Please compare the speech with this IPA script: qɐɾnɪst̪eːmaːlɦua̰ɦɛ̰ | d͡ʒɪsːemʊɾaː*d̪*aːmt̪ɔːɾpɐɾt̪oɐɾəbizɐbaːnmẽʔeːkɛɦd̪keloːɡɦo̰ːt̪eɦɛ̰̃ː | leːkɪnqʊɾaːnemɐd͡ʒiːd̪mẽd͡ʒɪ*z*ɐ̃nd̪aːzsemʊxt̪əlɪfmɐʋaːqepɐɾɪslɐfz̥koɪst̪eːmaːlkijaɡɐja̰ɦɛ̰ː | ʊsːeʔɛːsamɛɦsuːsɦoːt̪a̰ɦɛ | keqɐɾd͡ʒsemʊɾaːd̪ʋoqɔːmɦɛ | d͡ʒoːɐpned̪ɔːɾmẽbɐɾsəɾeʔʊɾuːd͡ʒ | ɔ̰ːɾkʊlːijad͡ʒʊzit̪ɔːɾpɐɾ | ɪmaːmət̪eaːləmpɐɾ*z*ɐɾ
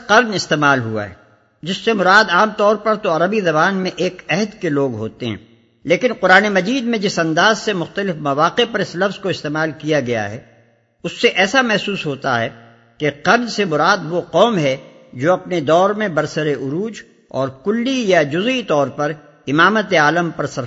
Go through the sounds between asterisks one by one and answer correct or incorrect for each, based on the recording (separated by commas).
correct, incorrect, incorrect